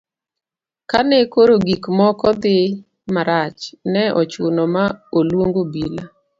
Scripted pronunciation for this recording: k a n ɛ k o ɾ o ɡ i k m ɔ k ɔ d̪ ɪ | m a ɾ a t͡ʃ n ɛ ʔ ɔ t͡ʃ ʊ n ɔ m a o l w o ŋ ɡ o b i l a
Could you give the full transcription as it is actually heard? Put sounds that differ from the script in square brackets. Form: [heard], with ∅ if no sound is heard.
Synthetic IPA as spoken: k a n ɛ k o ɾ o ɡ i k m ɔ k ɔ d̪ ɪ | m a ɾ a t͡ʃ n ɛ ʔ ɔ t͡ʃ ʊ n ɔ m a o l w o ŋ ɡ o b i l a